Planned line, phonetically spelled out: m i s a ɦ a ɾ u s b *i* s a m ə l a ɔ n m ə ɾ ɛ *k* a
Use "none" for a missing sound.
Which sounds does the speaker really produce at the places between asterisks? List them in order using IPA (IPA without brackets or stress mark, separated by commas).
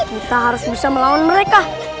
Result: i, k